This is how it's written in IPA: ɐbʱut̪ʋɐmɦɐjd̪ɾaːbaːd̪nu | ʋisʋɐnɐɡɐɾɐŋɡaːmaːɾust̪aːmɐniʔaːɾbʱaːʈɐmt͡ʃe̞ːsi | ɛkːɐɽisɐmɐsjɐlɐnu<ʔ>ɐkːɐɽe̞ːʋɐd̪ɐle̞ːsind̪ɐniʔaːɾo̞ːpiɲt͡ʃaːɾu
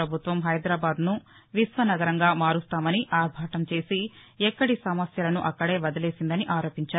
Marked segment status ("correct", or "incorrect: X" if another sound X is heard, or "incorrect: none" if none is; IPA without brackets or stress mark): correct